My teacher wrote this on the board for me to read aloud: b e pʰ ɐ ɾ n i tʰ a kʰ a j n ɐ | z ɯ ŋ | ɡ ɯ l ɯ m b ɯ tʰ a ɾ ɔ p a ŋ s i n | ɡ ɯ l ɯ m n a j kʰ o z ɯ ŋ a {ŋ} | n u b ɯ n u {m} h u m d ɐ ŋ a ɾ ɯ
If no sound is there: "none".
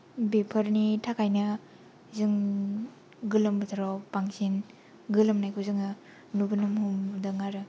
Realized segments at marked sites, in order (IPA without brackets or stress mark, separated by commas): none, m